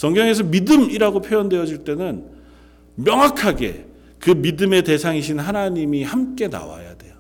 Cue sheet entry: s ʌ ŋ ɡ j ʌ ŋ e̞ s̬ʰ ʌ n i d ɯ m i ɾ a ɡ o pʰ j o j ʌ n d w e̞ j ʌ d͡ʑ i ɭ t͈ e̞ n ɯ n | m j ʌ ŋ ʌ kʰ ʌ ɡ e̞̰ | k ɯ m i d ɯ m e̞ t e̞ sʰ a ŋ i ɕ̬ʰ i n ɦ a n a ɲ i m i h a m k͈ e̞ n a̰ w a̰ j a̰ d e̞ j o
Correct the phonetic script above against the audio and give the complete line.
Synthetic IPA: s ʌ ŋ ɡ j ʌ ŋ e̞ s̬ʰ ʌ m i d ɯ m i ɾ a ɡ o pʰ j o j ʌ n d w e̞ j ʌ d͡ʑ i ɭ t͈ e̞ n ɯ n | m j ʌ ŋ a kʰ a ɡ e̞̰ | k ɯ m i d ɯ m e̞ t e̞ sʰ a ŋ i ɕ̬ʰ i n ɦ a n a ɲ i m i h a m k͈ e̞ n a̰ w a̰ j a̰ d e̞ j o